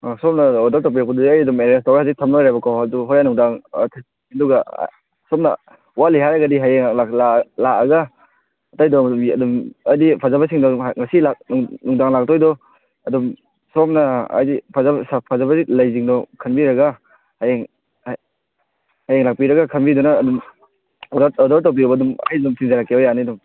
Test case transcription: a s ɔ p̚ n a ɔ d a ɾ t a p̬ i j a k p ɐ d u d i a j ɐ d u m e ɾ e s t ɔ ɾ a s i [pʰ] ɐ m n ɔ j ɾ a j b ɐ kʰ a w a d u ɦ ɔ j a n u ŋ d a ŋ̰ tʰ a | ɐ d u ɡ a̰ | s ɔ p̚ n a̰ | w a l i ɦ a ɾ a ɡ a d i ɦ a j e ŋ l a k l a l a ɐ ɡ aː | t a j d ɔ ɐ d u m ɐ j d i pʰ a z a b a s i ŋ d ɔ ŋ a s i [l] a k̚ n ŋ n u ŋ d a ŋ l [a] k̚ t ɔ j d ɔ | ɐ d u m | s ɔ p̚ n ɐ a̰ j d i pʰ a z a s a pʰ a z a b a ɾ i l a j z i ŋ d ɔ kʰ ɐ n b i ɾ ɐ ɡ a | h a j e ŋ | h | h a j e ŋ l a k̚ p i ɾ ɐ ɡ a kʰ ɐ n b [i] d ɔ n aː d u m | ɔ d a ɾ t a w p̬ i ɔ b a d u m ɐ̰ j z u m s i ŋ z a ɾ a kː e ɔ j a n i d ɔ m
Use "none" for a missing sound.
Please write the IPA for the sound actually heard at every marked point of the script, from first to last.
tʰ, l, a, i

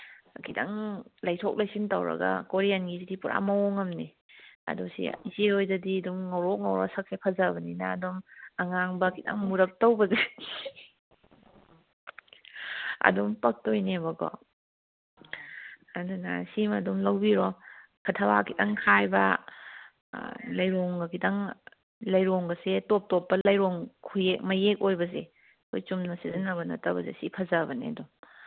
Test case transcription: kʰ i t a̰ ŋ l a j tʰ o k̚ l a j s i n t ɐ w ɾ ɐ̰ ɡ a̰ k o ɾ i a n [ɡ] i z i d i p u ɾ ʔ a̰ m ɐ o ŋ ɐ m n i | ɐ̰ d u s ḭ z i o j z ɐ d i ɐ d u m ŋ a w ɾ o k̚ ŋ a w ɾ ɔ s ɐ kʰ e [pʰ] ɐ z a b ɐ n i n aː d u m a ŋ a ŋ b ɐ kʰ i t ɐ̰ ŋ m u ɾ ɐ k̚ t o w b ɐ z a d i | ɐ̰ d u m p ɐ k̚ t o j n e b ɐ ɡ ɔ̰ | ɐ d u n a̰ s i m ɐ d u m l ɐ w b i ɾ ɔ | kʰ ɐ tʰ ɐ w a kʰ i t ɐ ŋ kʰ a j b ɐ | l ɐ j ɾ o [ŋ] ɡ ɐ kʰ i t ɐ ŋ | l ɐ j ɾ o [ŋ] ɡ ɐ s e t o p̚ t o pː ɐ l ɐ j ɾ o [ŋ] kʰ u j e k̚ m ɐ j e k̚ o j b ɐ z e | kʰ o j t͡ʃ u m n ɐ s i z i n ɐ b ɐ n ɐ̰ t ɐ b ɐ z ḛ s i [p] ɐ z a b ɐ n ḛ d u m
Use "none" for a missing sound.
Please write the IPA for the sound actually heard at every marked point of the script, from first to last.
ɡ, pʰ, ŋ, ŋ, ŋ, pʰ

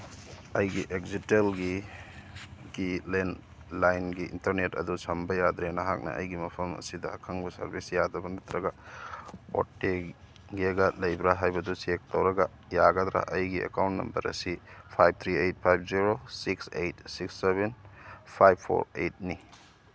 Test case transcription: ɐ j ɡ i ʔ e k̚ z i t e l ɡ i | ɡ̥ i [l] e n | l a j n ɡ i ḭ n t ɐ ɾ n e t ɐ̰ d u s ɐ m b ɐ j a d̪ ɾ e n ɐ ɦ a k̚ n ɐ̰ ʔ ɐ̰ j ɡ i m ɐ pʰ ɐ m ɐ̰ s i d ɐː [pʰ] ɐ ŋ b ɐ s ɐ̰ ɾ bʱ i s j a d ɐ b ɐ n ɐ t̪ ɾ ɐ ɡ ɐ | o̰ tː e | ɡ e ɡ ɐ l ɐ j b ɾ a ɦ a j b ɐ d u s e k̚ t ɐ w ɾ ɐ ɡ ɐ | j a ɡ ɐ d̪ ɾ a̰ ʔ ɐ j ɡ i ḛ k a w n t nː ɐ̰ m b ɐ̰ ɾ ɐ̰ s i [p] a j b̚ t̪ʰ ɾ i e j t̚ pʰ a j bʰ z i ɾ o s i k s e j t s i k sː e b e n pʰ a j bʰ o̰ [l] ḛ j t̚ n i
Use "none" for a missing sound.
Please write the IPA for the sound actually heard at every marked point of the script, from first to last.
l, kʰ, pʰ, ɾ

